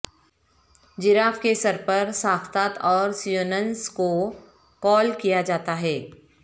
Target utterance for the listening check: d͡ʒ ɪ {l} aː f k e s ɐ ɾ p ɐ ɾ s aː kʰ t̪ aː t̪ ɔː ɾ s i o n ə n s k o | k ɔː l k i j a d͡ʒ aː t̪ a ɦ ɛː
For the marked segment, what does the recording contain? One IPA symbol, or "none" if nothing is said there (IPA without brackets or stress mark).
ɾ